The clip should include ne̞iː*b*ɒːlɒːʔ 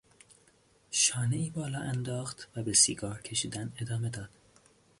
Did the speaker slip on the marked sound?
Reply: no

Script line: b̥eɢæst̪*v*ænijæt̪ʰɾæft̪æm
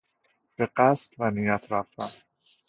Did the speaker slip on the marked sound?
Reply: no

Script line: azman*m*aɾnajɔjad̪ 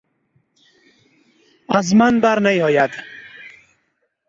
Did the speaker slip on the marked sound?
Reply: yes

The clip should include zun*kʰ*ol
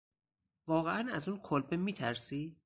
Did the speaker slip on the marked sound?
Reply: no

